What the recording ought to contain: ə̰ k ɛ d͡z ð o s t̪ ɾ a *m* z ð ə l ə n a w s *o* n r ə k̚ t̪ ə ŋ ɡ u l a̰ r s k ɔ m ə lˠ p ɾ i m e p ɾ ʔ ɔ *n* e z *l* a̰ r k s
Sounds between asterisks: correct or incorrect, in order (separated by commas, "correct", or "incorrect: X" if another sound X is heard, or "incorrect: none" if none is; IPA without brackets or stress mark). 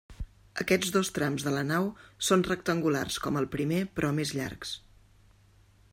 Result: correct, correct, incorrect: m, incorrect: ʎ